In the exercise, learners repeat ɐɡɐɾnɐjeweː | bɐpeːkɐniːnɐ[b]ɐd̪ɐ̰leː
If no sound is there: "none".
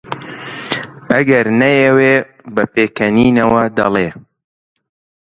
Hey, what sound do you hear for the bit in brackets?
w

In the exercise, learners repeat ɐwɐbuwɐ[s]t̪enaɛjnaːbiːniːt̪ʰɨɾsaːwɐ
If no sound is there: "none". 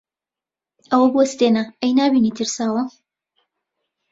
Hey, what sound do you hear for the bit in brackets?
s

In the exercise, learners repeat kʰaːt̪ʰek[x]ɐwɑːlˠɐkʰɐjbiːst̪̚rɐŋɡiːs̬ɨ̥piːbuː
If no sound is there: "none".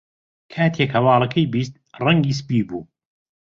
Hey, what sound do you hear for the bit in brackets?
h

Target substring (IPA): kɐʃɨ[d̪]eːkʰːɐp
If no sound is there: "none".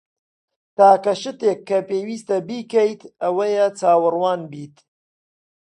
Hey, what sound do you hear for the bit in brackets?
t̪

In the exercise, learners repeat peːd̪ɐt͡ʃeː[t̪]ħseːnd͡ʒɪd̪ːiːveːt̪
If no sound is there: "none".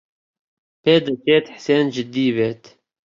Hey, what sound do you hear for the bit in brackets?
t̪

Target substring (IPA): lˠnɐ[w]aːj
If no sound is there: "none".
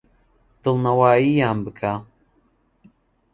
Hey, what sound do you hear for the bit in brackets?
w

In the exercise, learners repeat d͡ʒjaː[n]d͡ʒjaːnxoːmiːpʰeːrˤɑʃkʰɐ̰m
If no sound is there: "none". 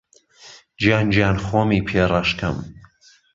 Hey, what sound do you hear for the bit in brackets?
n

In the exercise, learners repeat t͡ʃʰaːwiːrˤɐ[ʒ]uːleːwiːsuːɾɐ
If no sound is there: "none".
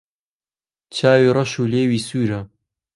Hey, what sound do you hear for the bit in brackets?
ʃ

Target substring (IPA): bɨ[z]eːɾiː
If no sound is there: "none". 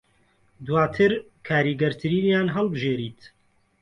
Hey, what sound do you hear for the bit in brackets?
ʒ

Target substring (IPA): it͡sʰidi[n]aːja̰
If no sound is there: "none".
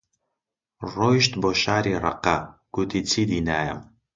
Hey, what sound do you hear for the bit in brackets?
n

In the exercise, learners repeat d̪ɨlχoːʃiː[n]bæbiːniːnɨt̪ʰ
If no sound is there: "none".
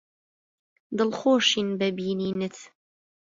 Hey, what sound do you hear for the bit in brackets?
n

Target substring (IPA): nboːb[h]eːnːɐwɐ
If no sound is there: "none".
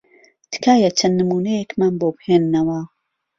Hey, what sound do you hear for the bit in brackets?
h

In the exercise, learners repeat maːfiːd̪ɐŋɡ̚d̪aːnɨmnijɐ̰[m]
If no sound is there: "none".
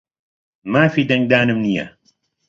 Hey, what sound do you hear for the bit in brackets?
none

